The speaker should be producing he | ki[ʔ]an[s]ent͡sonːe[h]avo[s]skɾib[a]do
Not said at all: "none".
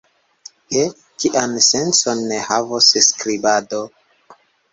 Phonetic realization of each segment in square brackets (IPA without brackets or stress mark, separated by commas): ʔ, s, h, s, a